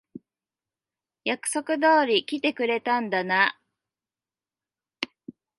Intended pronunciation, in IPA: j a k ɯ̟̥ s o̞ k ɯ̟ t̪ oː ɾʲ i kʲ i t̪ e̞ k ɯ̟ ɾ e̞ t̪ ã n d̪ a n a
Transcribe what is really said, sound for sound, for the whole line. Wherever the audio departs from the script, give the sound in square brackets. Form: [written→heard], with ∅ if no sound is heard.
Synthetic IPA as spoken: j a k ɯ̟̥ s o̞ k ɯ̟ [t̪→d̪] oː ɾʲ i kʲ i t̪ e̞ k ɯ̟ ɾ e̞ t̪ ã n d̪ a n a